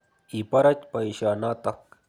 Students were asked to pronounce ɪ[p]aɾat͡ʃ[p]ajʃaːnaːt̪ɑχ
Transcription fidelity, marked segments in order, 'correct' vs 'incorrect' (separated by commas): correct, correct